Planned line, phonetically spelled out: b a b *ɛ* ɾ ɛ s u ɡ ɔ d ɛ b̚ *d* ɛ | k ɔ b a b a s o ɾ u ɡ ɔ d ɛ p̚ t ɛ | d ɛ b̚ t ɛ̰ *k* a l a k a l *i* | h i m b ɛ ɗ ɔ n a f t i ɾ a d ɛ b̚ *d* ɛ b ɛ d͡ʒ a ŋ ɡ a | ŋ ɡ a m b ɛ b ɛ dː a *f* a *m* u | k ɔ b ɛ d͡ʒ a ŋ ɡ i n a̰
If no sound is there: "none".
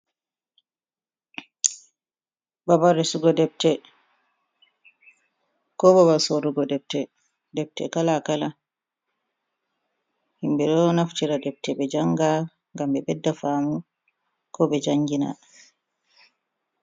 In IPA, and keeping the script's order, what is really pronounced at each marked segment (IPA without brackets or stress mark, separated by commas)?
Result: a, t, k, a, t, f, m